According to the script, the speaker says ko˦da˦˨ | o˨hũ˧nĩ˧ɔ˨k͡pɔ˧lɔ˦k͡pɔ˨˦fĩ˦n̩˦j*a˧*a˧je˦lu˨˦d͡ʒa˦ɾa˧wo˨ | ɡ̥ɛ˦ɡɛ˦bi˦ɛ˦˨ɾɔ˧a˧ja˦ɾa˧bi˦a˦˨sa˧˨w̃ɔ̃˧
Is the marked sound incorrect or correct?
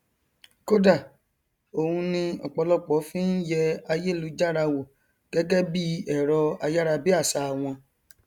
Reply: incorrect